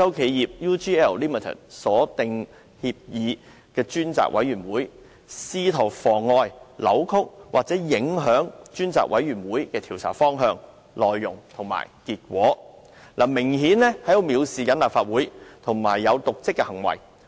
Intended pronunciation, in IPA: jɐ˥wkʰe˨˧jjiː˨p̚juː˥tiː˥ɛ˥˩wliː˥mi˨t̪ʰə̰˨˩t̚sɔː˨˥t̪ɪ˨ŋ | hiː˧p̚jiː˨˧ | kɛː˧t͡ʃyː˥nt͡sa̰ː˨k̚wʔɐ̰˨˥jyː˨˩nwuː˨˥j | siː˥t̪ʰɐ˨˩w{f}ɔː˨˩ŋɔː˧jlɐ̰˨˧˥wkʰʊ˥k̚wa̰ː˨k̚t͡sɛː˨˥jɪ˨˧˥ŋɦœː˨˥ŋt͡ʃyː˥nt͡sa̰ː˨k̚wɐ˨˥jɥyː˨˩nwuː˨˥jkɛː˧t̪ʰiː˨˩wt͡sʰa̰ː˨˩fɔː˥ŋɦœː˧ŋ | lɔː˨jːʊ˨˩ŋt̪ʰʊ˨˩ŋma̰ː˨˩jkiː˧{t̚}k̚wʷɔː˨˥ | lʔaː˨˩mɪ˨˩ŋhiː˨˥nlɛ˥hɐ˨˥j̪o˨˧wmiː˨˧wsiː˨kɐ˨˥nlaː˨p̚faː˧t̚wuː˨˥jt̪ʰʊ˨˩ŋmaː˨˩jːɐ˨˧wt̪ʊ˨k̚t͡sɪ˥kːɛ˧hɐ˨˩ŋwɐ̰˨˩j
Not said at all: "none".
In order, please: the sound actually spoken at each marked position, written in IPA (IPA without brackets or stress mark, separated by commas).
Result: f, t̚